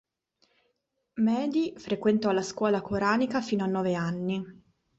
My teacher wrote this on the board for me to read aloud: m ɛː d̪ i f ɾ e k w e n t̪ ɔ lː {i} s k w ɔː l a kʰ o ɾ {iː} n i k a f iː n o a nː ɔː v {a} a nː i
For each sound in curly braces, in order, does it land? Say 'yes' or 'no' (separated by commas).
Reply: no, no, no